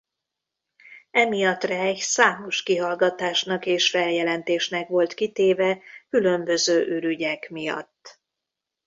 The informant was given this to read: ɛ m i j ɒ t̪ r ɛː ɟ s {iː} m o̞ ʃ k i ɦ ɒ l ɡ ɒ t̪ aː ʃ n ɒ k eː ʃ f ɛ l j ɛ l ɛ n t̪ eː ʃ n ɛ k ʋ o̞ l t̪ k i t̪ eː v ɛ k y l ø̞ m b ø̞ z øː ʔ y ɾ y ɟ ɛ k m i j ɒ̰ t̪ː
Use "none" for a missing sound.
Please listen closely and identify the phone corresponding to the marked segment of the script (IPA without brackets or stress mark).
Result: aː